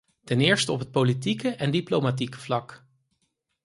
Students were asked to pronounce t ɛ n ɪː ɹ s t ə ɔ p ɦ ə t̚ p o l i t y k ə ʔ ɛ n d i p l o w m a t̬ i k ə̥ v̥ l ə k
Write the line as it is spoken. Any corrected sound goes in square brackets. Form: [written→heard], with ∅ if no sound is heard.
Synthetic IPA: t ɛ n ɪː ɹ s t ə ɔ p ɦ ə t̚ p o l i t [y→i] k ə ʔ ɛ n d i p l o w m a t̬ i k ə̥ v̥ l [ə→ɑ] k